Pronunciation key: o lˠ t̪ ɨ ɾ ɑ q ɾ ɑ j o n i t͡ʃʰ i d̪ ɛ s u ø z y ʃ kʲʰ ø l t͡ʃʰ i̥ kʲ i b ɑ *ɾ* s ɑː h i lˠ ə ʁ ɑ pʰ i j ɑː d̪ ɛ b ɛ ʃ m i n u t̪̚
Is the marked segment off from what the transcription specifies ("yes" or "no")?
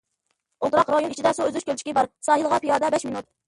no